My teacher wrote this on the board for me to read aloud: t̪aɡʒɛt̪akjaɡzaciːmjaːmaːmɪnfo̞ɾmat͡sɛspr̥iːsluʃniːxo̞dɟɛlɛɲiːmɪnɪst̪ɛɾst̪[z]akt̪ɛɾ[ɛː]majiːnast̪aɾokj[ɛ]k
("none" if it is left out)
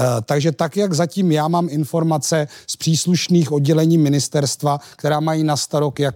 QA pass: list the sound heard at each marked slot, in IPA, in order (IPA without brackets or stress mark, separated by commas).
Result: v, aː, a